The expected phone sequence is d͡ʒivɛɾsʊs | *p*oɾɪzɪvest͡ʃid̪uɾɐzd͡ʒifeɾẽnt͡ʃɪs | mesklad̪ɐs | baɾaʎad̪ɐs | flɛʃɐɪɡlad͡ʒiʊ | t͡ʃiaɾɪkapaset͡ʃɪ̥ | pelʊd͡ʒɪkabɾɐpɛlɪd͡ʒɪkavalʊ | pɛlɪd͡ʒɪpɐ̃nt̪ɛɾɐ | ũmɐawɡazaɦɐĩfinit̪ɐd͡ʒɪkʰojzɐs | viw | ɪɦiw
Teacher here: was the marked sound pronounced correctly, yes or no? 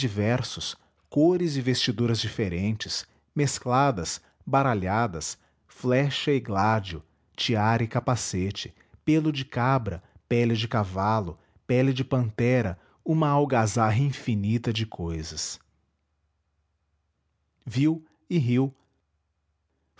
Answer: no